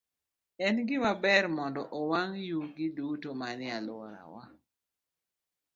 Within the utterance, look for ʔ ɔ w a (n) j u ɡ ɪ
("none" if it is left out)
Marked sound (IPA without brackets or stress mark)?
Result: ŋ